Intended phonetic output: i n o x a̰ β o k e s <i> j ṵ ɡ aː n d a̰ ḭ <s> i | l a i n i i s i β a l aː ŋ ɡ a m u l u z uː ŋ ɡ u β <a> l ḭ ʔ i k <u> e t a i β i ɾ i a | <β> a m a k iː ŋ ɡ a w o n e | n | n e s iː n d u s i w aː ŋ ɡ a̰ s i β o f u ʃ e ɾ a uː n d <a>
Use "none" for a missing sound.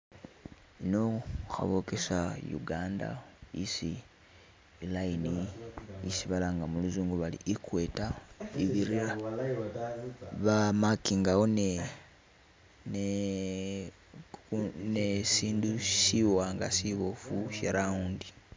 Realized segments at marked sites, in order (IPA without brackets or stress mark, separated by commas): a, s, a, w, β, i